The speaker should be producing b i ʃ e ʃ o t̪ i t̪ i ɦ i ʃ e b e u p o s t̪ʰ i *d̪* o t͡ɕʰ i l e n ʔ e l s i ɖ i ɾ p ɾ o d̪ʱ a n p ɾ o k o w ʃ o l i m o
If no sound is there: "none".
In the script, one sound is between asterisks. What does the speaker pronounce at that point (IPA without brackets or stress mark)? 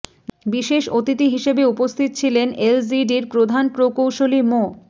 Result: t̪